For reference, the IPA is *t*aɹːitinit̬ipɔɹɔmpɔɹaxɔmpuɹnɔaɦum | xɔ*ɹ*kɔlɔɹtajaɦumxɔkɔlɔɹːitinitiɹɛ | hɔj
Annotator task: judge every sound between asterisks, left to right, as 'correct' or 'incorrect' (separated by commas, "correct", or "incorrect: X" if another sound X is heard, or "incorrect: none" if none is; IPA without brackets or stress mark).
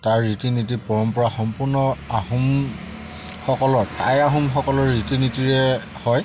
correct, incorrect: none